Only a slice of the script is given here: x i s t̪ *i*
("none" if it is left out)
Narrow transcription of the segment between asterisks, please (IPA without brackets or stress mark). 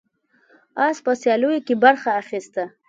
a